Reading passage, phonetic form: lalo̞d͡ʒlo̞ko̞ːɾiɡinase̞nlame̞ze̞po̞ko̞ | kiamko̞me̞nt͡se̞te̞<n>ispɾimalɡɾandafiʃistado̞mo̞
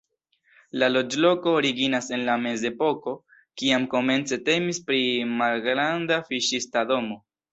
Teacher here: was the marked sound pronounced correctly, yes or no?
no